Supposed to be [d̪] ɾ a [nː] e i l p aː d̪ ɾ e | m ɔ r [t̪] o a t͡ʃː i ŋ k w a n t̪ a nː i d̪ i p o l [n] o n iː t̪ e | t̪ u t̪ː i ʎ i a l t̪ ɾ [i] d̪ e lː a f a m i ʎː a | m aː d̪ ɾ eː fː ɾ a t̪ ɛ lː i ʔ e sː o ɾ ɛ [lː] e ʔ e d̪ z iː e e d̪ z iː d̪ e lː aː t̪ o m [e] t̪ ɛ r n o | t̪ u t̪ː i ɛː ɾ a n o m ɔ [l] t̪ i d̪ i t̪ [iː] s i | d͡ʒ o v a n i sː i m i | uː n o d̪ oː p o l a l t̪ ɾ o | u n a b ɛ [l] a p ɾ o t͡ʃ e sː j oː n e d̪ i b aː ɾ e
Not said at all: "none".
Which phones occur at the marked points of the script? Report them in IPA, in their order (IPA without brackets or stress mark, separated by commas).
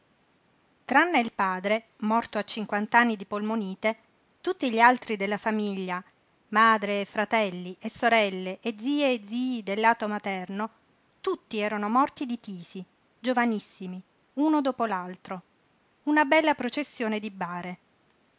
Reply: t̪, nː, t̪, m, i, lː, a, r, iː, lː